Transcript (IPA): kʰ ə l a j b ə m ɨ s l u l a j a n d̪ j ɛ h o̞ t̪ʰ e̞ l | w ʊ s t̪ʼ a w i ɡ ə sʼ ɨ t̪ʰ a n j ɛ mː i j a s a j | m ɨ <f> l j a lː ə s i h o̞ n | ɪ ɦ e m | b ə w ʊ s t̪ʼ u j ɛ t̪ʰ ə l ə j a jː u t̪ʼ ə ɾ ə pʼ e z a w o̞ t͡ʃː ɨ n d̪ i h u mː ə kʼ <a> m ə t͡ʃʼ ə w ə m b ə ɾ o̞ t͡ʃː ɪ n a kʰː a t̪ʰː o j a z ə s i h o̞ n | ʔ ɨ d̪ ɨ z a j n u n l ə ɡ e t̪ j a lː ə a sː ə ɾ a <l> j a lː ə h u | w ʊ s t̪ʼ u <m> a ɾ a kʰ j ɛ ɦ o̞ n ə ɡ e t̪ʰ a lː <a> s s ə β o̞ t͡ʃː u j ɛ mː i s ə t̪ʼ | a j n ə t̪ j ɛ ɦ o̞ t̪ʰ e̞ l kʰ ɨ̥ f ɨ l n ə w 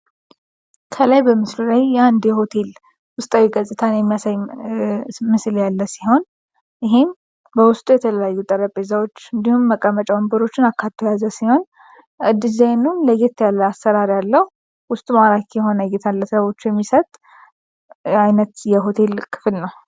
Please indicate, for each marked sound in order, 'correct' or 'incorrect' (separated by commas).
incorrect, incorrect, incorrect, correct, incorrect